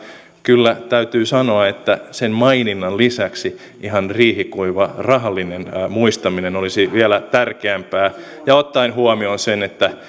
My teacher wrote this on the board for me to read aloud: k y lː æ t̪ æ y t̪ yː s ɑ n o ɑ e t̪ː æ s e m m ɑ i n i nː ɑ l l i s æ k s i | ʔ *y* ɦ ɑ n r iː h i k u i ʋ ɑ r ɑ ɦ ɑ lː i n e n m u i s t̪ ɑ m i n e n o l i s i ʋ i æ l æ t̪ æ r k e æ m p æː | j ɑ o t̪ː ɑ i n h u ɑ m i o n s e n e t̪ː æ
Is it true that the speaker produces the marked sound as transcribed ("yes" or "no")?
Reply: no